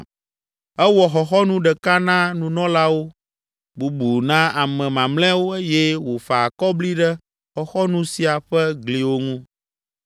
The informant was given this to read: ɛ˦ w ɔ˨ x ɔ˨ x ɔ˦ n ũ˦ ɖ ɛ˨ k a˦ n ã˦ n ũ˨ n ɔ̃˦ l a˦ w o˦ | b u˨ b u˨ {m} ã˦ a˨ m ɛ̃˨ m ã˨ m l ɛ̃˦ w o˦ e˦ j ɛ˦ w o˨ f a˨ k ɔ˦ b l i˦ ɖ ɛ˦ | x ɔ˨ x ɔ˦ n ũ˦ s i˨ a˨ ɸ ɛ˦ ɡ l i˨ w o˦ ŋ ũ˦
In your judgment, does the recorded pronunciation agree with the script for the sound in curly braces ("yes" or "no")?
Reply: no